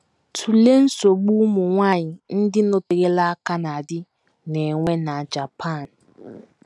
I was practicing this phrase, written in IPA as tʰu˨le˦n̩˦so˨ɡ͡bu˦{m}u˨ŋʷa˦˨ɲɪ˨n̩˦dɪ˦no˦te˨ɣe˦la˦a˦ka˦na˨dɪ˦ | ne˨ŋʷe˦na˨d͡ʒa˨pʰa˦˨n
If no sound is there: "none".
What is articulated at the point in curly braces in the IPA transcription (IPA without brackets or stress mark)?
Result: m